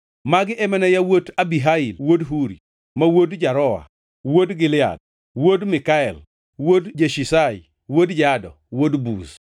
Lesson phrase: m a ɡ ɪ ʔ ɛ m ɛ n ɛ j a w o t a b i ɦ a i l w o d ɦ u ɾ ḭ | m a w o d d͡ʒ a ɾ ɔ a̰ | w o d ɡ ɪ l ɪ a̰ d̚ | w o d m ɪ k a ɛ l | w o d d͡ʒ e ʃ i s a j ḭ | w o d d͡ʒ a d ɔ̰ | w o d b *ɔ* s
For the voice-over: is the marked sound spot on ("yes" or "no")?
no